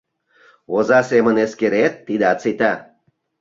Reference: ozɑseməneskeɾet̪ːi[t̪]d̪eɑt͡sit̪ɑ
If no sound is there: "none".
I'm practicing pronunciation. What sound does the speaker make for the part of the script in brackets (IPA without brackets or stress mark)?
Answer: none